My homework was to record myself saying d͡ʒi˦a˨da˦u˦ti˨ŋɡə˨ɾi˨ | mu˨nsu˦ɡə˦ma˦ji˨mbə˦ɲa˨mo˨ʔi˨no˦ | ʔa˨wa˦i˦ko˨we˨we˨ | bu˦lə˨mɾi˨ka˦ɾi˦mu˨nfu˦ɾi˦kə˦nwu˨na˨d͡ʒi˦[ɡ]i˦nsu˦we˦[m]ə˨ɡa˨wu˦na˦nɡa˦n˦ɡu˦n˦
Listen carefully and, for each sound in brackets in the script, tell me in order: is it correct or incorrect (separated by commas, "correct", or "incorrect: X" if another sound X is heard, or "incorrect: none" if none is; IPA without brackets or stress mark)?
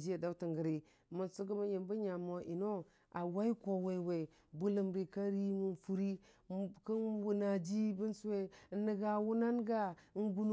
incorrect: b, incorrect: n